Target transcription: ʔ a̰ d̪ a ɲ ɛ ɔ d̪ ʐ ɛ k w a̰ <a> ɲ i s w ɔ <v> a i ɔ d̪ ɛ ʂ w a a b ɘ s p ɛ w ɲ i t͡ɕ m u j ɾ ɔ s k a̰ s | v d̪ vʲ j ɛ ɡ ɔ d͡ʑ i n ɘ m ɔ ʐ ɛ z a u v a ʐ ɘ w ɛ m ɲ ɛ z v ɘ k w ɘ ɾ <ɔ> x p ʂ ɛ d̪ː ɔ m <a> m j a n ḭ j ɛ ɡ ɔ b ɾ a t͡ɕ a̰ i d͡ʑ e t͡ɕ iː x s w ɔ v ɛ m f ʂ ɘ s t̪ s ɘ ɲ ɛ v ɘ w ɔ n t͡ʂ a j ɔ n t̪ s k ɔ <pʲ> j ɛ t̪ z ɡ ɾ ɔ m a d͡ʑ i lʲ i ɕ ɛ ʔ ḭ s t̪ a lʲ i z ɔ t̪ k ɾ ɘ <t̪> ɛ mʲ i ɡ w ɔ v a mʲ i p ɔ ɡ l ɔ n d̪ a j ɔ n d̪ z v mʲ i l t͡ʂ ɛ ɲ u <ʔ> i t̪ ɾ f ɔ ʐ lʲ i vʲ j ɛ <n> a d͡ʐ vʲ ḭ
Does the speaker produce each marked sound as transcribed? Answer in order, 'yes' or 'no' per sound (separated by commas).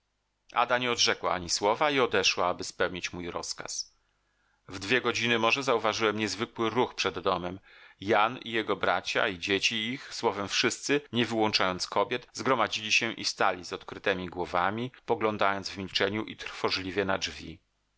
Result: yes, yes, no, no, no, yes, yes, yes